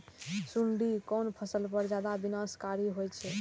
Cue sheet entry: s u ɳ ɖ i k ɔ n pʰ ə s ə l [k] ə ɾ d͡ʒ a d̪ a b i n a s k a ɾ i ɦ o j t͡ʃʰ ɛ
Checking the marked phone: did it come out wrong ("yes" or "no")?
yes